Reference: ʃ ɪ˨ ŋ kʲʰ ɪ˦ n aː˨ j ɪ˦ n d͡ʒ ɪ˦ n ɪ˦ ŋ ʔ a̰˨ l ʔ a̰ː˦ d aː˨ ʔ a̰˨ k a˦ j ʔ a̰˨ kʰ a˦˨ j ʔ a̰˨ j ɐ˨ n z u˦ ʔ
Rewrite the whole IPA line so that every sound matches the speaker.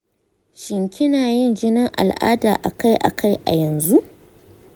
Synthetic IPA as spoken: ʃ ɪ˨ ŋ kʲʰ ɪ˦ n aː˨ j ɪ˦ n d͡ʒ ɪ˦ n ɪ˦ ŋ ʔ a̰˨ l ʔ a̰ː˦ d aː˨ ʔ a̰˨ k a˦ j ʔ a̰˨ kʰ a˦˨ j ʔ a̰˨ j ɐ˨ n z u˦ ʔ